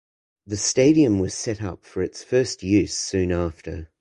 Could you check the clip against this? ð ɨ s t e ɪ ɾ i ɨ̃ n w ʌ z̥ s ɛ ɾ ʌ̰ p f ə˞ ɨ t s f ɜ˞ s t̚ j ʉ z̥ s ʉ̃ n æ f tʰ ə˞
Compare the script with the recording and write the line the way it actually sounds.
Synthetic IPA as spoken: ð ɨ s t e ɪ ɾ i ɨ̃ m w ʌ z̥ s ɛ ɾ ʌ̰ p f ə˞ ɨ t s f ɜ˞ s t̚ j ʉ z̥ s ʉ̃ n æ f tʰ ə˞